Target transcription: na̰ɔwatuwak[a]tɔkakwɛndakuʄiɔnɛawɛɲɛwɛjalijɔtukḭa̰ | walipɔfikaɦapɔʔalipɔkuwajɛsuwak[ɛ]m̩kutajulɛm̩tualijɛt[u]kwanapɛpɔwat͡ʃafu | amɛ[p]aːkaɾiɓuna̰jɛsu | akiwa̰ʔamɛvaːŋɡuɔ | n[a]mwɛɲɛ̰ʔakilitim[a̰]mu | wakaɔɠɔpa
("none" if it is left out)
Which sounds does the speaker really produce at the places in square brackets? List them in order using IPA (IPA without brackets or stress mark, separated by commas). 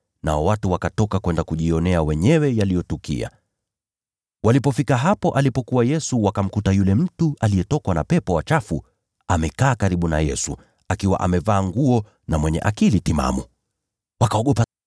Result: a, a, ɔ, k, a, a̰